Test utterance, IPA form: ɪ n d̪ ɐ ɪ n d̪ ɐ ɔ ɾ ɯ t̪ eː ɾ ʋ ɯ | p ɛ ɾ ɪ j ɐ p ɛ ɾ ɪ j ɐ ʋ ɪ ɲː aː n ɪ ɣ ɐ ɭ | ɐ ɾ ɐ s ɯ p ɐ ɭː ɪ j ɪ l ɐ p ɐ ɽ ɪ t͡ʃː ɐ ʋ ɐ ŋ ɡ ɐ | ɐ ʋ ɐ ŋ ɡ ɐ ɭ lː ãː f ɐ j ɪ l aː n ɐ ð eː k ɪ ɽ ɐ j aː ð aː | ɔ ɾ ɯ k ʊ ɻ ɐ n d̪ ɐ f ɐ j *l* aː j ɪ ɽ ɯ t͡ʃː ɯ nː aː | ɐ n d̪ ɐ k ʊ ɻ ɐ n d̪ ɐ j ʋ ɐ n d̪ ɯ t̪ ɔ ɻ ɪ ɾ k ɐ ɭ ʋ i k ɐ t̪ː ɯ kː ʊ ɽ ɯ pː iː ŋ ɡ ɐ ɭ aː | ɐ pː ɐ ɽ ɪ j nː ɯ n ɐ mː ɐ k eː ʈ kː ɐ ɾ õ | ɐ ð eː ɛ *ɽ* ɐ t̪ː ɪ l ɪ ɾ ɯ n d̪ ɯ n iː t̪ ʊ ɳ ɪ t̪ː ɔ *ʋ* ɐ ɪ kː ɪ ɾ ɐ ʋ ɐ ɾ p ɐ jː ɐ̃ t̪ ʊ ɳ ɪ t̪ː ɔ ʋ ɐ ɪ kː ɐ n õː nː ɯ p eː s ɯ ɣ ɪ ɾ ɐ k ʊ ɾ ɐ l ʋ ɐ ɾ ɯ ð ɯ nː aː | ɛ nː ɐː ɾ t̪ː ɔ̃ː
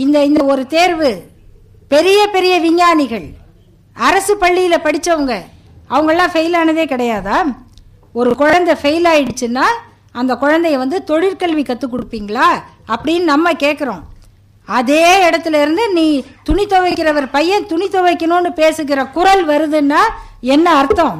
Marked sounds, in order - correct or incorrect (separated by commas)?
correct, correct, correct